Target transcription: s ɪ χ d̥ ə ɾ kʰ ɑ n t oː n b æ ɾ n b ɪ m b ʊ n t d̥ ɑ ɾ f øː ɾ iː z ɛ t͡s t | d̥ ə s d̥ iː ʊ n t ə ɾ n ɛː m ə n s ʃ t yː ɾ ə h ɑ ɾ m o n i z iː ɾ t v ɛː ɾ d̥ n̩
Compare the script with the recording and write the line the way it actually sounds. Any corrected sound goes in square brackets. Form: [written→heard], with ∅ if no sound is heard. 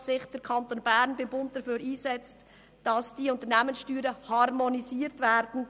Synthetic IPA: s ɪ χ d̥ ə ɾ kʰ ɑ n t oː n b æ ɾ n b ɪ m b ʊ n t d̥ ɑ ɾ f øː ɾ iː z ɛ t͡s t | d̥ [ə→ɑ] s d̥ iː ʊ n t ə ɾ n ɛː m ə n s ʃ t yː ɾ ə h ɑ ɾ m o n i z iː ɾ t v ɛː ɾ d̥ n̩